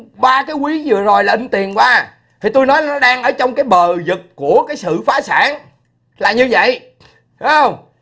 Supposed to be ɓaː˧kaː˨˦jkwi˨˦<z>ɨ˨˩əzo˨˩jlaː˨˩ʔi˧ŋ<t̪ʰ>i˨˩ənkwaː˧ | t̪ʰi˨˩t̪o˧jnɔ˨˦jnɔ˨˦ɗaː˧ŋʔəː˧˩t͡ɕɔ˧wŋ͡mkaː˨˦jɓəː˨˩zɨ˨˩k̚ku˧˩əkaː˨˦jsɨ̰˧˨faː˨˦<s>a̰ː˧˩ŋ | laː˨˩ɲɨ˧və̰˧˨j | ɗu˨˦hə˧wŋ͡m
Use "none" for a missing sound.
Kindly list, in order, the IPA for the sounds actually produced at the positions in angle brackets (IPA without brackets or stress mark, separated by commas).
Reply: z, t̪, s